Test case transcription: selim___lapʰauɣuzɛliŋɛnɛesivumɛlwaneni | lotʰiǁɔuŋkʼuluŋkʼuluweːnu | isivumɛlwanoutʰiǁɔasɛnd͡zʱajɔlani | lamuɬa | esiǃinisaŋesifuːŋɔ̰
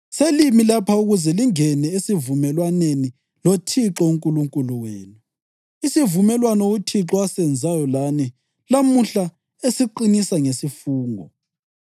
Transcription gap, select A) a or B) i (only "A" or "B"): B